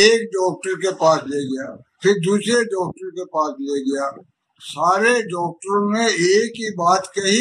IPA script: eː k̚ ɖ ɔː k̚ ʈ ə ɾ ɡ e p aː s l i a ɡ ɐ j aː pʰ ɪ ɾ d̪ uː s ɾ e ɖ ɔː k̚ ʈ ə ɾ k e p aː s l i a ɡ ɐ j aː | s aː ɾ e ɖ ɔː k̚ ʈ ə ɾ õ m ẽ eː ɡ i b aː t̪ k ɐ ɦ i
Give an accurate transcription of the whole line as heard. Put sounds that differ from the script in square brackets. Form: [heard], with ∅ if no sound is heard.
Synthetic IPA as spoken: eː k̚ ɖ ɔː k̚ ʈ ə ɾ [k] e p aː s l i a ɡ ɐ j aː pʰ ɪ ɾ d̪ uː s ɾ e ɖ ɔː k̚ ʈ ə ɾ k e p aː s l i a ɡ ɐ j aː | s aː ɾ e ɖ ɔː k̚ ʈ ə ɾ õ m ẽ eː [k] i b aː t̪ k ɐ ɦ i